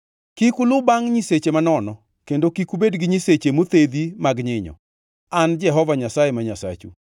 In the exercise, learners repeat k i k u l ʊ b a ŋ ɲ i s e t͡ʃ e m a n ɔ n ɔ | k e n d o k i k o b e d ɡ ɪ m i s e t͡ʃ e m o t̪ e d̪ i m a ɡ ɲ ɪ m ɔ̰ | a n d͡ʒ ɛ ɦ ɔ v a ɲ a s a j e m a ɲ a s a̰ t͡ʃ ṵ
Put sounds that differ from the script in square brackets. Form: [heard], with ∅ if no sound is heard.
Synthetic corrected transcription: k i k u l ʊ b a ŋ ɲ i s e t͡ʃ e m a n ɔ n ɔ | k e n d o k i k [u] b e d ɡ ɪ [ɲ] i s e t͡ʃ e m o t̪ e d̪ i m a ɡ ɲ ɪ [ɲ] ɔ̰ | a n d͡ʒ ɛ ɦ ɔ v a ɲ a s a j e m a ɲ a s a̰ t͡ʃ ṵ